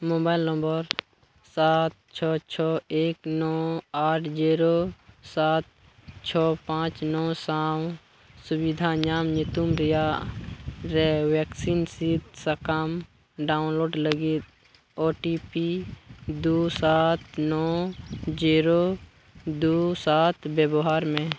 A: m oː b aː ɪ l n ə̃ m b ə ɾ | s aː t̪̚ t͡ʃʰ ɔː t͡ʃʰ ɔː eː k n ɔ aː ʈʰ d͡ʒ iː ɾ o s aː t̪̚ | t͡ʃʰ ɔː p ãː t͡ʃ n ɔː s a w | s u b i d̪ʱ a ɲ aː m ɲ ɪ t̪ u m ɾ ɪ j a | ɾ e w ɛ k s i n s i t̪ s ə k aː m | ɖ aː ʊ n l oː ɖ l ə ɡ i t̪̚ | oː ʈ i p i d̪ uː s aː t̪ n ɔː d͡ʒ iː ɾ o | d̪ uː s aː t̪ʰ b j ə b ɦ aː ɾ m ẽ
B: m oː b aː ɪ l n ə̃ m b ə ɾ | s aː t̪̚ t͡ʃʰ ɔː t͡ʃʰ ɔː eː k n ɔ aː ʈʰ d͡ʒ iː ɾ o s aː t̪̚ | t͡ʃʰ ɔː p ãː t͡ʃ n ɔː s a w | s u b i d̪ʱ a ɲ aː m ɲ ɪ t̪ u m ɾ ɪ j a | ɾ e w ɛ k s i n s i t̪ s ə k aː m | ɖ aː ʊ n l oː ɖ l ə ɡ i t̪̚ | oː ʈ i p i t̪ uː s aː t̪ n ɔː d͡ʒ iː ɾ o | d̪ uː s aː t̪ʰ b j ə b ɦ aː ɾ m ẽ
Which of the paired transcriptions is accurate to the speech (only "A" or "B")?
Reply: A